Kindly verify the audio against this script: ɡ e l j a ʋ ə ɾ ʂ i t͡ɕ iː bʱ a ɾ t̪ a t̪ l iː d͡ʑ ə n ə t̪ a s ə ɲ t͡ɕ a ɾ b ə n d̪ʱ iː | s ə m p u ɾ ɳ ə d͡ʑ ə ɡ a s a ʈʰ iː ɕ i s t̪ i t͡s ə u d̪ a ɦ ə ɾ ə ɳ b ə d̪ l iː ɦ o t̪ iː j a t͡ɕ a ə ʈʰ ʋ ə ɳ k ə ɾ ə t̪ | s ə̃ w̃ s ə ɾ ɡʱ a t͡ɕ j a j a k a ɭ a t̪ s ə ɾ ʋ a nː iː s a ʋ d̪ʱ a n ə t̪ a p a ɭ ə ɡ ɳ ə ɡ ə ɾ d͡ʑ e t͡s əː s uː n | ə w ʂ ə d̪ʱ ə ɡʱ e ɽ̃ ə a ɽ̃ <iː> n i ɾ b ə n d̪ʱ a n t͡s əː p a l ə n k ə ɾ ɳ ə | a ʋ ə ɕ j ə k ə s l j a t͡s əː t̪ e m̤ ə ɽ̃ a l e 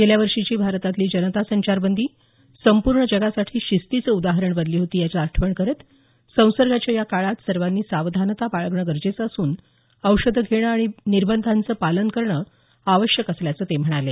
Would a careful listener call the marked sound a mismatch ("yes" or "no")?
yes